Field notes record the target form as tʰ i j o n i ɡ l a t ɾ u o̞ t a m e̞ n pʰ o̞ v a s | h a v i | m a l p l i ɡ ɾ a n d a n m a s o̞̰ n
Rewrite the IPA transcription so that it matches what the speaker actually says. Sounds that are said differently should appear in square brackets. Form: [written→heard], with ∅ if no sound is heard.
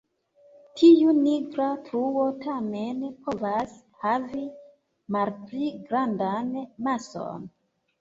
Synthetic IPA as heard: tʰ i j [o→u] n i ɡ [l→ɾ] a t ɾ u o̞ t a m e̞ n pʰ o̞ v a s | h a v i | m a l p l i ɡ ɾ a n d a n m a s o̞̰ n